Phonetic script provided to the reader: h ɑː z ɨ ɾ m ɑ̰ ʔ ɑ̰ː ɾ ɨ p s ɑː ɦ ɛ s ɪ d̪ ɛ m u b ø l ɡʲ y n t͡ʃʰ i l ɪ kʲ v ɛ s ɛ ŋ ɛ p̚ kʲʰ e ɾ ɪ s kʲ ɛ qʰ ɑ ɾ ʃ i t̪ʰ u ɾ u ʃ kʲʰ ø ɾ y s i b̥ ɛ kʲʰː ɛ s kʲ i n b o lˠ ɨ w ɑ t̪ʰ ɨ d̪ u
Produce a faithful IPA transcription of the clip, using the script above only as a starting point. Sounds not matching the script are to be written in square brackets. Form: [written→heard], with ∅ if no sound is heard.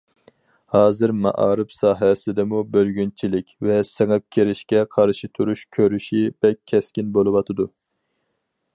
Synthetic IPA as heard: h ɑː z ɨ ɾ m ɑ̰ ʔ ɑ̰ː ɾ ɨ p s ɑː ɦ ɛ s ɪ d̪ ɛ m u b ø l ɡʲ y n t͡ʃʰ i l ɪ kʲ v ɛ s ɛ ŋ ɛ p̚ kʲʰ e ɾ ɪ [s→ʃ] kʲ ɛ qʰ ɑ ɾ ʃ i t̪ʰ u ɾ u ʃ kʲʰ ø ɾ y [s→ʃ] i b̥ ɛ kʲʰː ɛ s kʲ i n b o lˠ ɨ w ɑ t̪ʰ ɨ d̪ u